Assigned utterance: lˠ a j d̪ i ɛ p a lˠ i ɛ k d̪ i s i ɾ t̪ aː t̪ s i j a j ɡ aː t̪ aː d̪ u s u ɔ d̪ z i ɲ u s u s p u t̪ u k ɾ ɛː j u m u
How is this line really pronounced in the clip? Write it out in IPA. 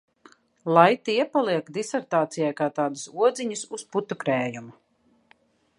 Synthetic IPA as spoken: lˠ a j t̪ i ɛ p a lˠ i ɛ k d̪ i s ɛ ɾ t̪ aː t̪ s i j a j k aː t̪ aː d̪ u s u ɔ d̪ z i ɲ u s u s p u t̪ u k ɾ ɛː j u m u